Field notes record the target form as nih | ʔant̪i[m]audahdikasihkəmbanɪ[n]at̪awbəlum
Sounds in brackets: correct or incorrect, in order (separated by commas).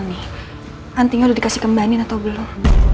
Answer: incorrect, correct